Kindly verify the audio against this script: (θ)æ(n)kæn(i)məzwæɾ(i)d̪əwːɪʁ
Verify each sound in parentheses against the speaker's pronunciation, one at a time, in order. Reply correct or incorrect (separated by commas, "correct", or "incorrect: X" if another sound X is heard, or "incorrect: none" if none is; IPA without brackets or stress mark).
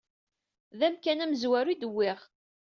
incorrect: ð, incorrect: m, incorrect: æ, correct